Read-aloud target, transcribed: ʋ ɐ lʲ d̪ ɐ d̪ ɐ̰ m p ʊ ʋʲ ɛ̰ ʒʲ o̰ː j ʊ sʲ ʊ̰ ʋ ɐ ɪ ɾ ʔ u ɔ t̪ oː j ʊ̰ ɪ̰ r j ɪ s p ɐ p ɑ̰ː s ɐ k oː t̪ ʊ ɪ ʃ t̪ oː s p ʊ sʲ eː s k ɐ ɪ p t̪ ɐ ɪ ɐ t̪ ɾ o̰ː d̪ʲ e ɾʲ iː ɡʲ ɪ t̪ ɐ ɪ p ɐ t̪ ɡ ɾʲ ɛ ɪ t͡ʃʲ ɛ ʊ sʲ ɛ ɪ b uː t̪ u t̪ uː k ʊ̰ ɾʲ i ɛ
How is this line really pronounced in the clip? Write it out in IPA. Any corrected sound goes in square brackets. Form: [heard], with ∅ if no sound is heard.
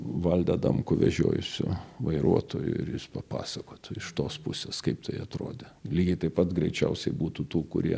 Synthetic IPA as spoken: ʋ ɐ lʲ d̪ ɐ d̪ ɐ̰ m [k] ʊ ʋʲ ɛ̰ ʒʲ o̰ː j ʊ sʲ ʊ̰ ʋ ɐ ɪ ɾ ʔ u ɔ t̪ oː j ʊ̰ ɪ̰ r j ɪ s p ɐ p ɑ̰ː s ɐ k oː t̪ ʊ ɪ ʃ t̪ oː s p ʊ sʲ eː s k ɐ ɪ p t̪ ɐ ɪ ɐ t̪ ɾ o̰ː d̪ʲ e [lʲ] iː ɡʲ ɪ t̪ ɐ ɪ p ɐ t̪ ɡ ɾʲ ɛ ɪ t͡ʃʲ ɛ ʊ sʲ ɛ ɪ b uː t̪ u t̪ uː k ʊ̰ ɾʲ i ɛ